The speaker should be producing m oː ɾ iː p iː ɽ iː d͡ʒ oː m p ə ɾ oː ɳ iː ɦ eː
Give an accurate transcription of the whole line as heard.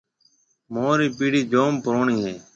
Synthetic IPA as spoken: m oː ɾ iː p iː ɽ iː d͡ʒ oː m p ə ɾ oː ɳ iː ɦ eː